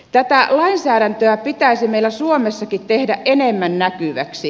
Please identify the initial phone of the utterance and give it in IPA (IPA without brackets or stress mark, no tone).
t̪